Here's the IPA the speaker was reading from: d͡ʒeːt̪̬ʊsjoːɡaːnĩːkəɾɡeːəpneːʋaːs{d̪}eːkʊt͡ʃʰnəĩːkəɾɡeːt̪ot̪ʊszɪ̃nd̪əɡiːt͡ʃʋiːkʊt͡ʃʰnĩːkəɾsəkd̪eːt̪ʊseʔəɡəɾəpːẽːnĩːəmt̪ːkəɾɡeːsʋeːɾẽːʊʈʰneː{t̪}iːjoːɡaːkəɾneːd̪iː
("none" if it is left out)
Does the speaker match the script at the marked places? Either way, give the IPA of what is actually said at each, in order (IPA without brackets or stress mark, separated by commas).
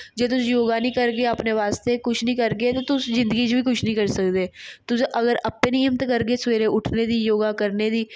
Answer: t̪, d̪